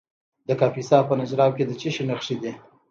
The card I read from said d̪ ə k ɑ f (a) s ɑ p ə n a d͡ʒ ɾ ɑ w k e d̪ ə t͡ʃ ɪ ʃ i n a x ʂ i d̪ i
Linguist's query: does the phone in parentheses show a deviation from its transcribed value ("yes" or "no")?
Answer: yes